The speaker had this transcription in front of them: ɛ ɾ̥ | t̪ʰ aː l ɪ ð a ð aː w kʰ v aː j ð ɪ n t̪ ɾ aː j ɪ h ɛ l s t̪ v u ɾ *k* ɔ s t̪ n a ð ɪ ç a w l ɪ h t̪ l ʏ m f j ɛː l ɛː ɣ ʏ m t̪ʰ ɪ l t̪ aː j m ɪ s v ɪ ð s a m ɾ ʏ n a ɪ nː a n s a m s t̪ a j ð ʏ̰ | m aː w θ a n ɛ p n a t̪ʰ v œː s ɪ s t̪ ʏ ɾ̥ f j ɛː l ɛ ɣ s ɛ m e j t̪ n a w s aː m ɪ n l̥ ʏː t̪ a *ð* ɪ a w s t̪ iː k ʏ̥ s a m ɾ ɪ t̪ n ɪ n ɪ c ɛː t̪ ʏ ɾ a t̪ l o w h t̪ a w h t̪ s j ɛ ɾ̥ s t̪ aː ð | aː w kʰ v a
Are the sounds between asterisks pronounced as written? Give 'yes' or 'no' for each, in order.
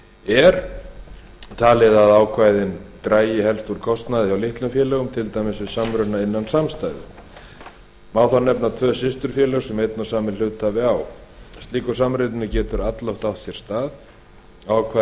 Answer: no, no

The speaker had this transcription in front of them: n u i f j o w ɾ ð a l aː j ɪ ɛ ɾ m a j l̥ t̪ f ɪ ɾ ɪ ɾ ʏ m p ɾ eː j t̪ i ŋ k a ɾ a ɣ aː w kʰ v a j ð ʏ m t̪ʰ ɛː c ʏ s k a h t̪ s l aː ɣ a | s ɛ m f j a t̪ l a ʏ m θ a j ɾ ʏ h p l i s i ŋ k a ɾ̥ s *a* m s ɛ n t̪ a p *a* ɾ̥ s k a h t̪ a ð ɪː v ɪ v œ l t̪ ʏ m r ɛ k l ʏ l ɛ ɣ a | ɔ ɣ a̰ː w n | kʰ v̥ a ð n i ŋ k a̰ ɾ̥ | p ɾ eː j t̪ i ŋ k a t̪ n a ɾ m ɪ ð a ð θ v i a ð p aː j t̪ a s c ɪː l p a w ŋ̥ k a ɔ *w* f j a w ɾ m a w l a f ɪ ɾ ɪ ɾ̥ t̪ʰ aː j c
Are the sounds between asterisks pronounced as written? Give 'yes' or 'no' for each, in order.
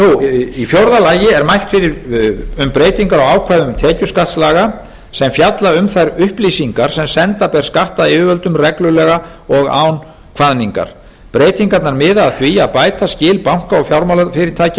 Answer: no, no, no

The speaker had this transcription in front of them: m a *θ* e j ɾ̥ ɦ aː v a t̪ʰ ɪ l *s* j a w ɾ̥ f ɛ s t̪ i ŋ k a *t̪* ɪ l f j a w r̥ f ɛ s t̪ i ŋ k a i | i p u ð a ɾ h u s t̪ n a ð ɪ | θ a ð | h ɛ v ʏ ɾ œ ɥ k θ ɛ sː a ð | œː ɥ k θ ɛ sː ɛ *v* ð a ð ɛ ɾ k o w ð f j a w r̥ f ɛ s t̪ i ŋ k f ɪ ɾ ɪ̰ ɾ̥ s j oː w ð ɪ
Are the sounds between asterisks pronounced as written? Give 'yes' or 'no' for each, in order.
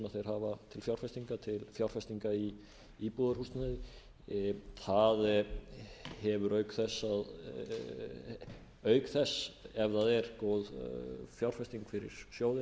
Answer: yes, no, no, yes

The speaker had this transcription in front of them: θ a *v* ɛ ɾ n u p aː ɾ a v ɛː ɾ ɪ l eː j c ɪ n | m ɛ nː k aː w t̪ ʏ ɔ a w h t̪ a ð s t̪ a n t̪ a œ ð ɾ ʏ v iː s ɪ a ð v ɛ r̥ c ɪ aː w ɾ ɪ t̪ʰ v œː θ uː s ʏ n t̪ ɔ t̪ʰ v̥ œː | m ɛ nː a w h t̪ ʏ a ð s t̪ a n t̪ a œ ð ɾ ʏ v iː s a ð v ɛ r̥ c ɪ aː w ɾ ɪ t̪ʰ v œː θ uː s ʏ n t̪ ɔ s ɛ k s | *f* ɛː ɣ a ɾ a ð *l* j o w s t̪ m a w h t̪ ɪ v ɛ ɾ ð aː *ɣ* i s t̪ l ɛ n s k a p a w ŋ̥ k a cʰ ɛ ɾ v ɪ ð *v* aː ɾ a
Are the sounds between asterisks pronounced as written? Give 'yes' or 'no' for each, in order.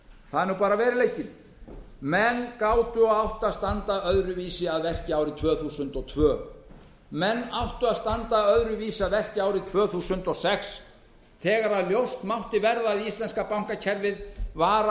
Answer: no, no, yes, no, yes

